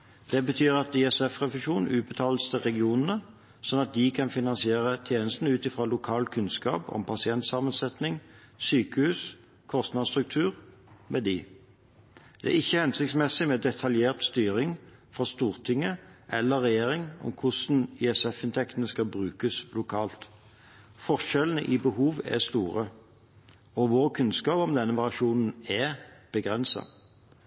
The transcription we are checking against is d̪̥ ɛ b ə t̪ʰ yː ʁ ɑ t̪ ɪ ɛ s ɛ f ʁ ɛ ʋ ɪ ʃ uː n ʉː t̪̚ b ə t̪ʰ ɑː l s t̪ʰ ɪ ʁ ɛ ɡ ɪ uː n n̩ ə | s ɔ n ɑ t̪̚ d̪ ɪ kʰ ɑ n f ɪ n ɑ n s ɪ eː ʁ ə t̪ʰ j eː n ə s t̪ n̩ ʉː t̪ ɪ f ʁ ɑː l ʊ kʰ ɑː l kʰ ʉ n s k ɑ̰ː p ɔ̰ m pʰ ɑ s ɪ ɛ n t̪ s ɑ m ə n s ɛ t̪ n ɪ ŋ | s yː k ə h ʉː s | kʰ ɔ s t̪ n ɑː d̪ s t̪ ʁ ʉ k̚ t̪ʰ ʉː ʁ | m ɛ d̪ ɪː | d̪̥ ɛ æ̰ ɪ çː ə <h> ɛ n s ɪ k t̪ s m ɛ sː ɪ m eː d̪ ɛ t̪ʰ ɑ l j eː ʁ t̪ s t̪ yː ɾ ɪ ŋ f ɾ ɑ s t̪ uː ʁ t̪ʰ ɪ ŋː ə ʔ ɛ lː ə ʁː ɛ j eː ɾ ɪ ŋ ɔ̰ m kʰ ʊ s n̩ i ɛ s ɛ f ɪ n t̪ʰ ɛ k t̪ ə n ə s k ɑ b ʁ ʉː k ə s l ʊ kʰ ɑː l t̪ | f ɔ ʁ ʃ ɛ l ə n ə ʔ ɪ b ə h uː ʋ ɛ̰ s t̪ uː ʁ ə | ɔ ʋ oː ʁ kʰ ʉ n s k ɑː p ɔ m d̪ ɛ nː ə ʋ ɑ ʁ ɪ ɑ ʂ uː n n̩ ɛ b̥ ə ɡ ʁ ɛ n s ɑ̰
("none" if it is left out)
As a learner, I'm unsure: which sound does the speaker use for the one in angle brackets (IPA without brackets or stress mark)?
h